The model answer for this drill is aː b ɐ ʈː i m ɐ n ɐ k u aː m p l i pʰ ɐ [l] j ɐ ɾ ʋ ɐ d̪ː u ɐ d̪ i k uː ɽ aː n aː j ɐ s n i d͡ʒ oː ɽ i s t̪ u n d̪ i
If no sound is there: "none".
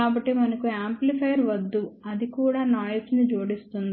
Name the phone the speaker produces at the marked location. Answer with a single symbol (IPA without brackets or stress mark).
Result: none